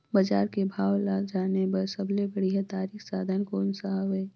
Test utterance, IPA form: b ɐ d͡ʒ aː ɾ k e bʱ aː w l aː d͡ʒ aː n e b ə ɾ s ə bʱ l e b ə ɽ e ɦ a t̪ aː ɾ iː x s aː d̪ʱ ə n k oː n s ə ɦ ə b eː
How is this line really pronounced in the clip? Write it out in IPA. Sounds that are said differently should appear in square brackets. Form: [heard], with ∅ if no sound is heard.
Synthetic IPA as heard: b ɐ d͡ʒ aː ɾ k e bʱ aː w l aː d͡ʒ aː n e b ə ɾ s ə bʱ l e b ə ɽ [i] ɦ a t̪ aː ɾ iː x s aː d̪ʱ ə n k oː n s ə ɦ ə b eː